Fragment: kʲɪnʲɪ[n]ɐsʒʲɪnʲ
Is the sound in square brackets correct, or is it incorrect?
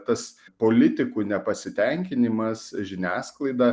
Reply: incorrect